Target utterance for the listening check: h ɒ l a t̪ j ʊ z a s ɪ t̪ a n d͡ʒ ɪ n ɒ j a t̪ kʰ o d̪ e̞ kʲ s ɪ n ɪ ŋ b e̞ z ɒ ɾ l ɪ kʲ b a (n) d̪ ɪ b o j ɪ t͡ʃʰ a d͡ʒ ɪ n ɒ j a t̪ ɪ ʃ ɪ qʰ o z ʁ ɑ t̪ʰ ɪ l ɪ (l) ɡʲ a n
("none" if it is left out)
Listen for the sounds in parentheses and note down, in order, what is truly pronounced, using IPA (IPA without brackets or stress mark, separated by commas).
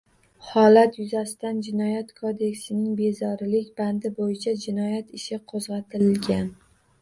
n, l